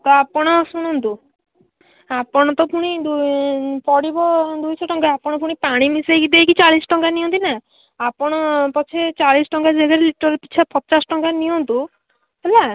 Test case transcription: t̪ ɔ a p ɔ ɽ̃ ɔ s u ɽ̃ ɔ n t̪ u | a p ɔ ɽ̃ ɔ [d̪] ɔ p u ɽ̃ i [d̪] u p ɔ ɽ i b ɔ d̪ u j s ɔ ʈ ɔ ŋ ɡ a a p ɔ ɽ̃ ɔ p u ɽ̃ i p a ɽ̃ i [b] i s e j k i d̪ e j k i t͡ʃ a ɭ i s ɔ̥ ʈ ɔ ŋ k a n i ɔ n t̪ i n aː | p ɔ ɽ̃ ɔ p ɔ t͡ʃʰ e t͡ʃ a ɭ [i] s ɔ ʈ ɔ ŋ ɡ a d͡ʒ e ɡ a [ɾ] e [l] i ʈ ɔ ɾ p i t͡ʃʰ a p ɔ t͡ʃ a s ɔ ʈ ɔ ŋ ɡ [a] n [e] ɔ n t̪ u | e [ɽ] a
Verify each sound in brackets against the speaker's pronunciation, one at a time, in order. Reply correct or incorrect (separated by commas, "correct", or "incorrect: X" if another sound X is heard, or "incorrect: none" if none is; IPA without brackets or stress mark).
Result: incorrect: t̪, correct, incorrect: m, correct, correct, correct, correct, incorrect: i, incorrect: l